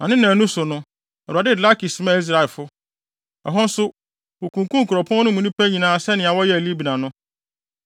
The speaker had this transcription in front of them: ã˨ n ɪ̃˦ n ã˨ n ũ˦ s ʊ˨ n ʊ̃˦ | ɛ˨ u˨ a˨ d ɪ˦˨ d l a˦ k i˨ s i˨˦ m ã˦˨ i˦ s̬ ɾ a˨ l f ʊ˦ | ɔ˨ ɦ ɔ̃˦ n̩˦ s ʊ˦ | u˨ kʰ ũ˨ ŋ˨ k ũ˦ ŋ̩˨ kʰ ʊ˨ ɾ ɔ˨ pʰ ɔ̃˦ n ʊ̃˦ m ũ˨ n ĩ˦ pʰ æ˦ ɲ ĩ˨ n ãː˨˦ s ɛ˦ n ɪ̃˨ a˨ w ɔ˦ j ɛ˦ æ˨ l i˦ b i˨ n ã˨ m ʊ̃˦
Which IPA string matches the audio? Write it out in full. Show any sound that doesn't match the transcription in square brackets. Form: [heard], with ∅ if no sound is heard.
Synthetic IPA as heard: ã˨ n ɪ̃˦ n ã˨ n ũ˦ s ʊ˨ n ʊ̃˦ | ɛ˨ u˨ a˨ d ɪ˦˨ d l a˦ k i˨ s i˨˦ m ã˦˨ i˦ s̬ ɾ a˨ l f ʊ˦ | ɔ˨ ɦ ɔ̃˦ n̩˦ s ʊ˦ | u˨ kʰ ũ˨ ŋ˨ k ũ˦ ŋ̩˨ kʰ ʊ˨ ɾ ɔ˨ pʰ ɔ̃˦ n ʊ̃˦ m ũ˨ n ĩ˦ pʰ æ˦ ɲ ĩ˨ n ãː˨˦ s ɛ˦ n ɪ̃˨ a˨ w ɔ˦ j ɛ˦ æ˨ l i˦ b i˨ n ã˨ [n] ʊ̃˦